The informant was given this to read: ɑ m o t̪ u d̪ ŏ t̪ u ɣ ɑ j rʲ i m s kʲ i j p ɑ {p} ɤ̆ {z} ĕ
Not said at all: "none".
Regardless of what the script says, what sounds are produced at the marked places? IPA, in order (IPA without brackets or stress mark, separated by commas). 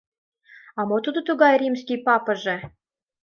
p, ʒ